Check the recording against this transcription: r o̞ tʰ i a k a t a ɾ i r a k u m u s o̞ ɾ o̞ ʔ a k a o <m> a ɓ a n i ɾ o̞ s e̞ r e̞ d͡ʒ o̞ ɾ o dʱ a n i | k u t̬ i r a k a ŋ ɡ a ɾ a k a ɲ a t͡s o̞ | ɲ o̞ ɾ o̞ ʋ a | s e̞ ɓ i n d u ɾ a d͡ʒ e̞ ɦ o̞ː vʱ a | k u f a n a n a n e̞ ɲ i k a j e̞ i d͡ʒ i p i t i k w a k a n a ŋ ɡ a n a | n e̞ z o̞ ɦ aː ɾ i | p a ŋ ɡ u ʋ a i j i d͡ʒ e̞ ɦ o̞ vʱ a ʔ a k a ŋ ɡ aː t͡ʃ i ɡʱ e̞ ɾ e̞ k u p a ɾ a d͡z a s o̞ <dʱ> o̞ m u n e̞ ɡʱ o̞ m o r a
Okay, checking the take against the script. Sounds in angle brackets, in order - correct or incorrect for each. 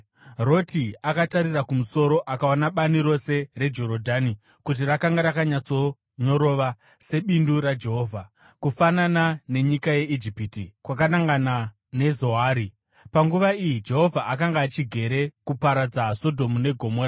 incorrect, correct

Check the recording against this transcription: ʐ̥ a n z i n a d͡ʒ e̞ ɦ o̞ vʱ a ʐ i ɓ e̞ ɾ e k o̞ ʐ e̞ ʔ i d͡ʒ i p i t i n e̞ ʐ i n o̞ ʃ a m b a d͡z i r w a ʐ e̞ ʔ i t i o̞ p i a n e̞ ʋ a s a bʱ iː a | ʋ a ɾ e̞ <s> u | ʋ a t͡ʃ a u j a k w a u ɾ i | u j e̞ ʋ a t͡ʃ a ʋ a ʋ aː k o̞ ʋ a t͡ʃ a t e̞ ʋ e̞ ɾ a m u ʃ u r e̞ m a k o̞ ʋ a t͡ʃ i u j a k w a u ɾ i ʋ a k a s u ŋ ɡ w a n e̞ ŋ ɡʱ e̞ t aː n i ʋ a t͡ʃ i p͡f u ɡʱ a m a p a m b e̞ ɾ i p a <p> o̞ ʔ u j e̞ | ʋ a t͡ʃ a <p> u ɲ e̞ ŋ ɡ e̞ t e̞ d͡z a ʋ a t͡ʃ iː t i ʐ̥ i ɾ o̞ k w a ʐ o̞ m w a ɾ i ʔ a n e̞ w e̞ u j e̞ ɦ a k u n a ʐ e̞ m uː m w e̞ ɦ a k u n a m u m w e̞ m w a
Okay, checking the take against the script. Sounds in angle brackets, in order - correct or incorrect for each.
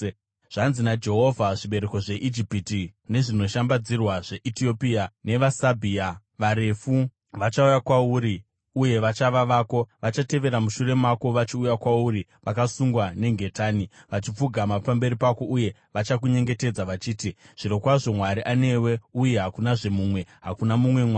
incorrect, incorrect, incorrect

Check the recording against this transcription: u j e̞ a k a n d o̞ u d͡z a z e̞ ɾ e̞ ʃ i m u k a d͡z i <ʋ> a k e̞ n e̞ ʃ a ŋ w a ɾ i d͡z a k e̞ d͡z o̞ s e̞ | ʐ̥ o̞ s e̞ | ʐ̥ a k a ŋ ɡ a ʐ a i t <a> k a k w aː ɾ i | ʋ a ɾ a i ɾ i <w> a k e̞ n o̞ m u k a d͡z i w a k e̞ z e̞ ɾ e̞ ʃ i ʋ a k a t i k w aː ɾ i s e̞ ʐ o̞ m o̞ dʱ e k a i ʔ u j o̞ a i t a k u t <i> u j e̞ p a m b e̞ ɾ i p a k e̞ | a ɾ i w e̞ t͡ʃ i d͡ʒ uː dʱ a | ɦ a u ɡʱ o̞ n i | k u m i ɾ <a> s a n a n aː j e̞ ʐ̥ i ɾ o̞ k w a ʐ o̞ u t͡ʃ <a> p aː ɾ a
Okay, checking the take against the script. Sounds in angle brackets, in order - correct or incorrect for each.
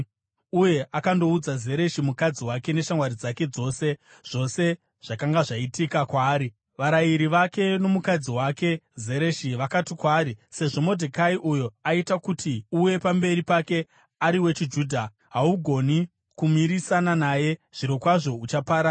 incorrect, incorrect, incorrect, correct, incorrect, correct

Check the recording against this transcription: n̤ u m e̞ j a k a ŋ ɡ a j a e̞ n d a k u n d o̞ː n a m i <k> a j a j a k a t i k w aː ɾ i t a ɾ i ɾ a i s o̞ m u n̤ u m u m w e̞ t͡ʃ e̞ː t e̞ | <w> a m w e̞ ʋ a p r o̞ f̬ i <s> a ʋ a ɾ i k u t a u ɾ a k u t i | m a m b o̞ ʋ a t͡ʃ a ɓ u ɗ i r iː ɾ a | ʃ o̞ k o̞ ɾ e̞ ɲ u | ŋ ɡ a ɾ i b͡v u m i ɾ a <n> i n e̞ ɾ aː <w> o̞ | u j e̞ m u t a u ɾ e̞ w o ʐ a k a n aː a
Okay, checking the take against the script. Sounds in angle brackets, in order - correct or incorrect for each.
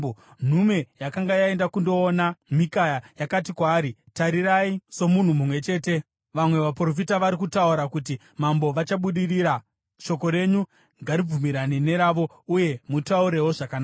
correct, incorrect, incorrect, correct, incorrect

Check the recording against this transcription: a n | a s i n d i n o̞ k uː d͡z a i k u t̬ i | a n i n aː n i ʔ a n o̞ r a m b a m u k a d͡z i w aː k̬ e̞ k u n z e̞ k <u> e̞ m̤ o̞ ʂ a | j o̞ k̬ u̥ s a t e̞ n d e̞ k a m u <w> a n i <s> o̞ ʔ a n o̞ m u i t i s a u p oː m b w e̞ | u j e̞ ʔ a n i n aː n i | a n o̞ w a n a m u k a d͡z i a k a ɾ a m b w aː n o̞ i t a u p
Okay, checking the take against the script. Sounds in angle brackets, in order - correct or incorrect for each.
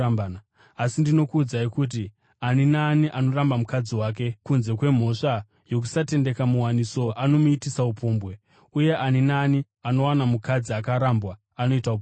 incorrect, correct, correct

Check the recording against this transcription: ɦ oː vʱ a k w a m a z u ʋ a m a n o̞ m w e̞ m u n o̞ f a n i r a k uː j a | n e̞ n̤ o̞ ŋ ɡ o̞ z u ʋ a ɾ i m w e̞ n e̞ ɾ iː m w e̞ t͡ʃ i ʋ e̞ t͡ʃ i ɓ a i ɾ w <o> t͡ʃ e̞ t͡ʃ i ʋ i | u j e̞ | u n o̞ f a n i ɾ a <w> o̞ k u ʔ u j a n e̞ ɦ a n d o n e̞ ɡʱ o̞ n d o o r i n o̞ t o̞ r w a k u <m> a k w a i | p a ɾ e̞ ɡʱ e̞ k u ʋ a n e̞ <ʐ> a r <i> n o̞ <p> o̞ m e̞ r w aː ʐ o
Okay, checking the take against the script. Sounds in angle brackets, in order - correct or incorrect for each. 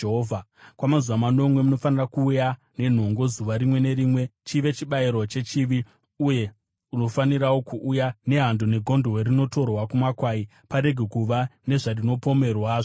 correct, correct, correct, correct, correct, correct

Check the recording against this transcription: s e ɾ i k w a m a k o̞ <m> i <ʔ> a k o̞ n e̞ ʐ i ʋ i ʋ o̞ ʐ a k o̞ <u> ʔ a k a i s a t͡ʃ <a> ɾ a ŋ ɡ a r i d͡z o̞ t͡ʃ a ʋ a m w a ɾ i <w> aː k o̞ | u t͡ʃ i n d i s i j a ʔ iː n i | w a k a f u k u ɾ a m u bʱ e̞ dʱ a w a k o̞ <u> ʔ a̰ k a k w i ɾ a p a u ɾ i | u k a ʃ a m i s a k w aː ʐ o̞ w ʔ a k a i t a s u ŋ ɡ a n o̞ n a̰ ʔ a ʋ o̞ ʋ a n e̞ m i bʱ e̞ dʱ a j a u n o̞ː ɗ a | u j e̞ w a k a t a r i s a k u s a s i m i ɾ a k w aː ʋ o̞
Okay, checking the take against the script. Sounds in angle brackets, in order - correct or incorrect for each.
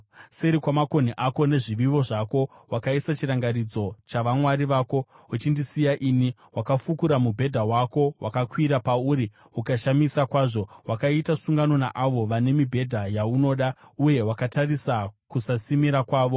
incorrect, correct, incorrect, incorrect, incorrect, incorrect

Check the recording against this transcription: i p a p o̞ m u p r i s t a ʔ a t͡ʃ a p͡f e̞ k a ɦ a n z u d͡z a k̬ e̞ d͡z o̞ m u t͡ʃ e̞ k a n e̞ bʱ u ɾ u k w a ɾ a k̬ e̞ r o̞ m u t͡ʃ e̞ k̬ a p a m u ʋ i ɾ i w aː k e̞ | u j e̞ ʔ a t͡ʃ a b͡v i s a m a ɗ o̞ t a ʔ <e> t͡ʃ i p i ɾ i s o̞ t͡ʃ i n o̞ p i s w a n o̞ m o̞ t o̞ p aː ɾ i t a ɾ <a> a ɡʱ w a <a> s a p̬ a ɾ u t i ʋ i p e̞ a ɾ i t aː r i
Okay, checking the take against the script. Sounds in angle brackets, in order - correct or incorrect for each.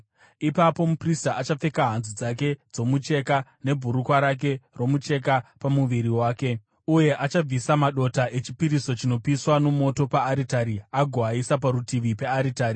correct, incorrect, incorrect

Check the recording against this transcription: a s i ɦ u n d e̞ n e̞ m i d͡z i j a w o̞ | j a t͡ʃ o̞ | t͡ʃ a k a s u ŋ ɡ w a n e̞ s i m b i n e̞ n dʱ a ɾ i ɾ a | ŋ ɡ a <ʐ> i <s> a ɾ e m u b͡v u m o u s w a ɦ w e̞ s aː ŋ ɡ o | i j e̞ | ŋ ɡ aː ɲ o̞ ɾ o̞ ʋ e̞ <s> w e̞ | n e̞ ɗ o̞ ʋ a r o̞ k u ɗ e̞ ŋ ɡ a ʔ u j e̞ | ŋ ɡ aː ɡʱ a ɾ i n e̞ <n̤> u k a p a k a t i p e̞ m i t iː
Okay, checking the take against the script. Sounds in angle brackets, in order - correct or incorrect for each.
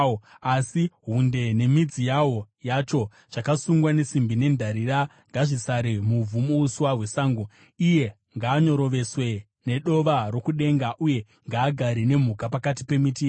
correct, correct, correct, incorrect

